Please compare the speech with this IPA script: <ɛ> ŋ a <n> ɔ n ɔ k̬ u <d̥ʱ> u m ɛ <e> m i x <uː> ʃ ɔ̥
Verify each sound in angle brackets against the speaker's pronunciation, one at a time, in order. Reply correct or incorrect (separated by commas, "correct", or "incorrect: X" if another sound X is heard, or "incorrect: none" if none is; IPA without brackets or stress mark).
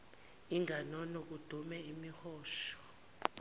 incorrect: i, correct, correct, incorrect: i, incorrect: ɔː